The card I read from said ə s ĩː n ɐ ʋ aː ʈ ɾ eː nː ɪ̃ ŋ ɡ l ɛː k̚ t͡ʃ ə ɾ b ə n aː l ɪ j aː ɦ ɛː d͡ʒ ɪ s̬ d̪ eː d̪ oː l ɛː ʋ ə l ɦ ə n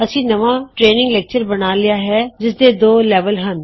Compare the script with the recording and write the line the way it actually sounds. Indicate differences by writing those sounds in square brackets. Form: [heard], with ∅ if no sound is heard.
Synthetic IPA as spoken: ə s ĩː n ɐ ʋ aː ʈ ɾ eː [n] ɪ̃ ŋ ɡ l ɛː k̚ t͡ʃ ə ɾ b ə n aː l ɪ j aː ɦ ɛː d͡ʒ ɪ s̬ d̪ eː d̪ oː l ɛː ʋ ə l ɦ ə n